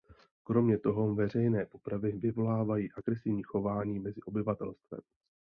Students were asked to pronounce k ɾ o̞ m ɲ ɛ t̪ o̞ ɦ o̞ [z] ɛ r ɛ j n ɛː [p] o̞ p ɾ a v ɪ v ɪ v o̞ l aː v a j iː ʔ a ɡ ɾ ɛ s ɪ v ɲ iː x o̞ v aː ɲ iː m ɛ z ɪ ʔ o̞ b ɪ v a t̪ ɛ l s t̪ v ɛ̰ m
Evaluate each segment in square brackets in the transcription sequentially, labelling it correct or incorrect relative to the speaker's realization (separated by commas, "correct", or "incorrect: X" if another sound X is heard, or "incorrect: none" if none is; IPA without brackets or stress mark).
incorrect: v, correct